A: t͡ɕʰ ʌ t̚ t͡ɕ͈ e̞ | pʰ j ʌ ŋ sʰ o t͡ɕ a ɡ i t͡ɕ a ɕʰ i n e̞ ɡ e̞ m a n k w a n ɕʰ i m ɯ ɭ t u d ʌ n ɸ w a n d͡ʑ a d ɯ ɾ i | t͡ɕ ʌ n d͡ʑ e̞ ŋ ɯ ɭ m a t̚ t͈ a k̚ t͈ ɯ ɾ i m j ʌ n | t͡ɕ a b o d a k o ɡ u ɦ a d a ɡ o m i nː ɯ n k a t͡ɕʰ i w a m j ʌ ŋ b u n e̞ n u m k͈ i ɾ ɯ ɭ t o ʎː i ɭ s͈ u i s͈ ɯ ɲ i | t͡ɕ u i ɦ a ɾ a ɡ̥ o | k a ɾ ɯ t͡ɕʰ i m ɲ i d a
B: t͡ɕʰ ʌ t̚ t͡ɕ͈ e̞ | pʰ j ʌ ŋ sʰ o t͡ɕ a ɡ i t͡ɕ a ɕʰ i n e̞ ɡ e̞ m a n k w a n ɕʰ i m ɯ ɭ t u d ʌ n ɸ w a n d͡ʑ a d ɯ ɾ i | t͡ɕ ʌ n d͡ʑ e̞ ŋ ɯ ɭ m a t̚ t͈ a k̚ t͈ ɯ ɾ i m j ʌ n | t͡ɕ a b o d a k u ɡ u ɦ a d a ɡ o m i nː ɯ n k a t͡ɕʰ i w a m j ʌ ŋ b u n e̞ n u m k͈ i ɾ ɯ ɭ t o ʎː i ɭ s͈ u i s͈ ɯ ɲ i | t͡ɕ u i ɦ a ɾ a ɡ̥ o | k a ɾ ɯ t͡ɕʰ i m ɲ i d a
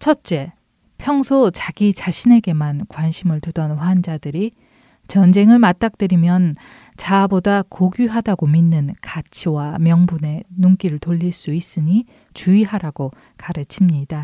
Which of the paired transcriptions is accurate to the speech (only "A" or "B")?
A